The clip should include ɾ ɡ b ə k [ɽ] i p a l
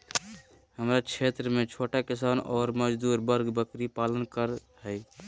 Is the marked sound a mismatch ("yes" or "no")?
yes